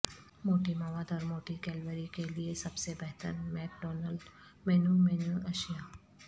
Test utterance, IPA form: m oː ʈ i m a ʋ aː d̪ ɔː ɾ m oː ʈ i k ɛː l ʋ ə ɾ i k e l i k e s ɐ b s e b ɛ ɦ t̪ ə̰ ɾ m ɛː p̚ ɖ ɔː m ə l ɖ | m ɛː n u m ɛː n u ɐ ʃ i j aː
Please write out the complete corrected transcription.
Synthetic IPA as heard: m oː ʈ i m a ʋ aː d̪ ɔː ɾ m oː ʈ i k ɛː l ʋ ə ɾ i k e l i e s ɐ b s e b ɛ ɦ t̪ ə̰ ɾ m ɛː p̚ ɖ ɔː n ə l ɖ | m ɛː n u m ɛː n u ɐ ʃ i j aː